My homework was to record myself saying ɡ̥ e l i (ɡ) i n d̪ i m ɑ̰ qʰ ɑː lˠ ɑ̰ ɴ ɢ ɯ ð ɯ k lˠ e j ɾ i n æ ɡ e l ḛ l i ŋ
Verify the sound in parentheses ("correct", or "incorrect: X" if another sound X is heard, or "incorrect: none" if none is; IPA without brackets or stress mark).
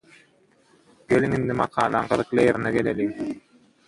incorrect: ŋ